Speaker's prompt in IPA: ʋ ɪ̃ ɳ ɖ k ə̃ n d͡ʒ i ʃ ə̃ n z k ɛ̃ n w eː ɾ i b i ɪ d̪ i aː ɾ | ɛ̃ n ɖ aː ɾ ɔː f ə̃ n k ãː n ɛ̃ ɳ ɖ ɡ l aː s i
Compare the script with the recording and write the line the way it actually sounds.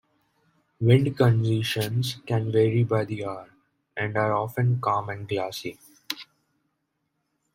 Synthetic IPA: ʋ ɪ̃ ɳ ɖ k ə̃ n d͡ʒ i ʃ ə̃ n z k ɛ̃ n ʋ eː ɾ i b a ɪ d̪ i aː ɾ | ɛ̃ ɳ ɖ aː ɾ ɔː f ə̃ n k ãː m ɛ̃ ɳ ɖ ɡ l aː s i